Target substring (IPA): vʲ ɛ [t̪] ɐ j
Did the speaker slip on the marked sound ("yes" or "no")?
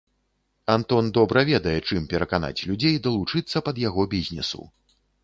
yes